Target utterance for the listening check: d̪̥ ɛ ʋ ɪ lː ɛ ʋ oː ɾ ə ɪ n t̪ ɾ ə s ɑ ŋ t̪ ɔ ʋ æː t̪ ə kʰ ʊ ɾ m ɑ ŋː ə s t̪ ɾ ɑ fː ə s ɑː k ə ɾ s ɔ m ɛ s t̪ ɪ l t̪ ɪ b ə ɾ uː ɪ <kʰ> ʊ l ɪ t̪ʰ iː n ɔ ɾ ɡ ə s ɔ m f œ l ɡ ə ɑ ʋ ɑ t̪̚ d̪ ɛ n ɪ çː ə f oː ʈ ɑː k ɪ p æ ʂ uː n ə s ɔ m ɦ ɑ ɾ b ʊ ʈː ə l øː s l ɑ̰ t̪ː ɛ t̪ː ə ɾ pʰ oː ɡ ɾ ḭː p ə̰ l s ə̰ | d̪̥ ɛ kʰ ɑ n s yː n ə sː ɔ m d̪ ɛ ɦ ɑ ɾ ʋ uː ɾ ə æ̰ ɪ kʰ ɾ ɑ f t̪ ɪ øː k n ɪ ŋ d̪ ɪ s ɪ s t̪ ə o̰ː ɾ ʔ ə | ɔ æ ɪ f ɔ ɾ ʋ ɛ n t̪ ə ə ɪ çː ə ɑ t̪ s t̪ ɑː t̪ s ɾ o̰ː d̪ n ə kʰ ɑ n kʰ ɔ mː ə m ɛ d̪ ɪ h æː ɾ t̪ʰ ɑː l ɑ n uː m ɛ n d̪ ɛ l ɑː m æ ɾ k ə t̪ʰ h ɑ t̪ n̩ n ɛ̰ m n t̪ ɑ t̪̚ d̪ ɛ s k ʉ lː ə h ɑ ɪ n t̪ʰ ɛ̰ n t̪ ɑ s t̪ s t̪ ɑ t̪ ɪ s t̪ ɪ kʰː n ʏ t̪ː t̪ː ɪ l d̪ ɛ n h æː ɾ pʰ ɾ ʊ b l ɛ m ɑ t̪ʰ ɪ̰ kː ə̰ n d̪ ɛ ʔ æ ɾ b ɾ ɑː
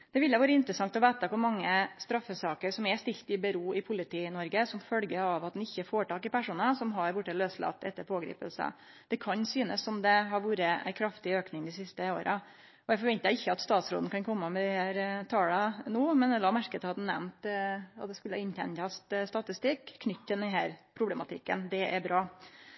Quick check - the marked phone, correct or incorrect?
incorrect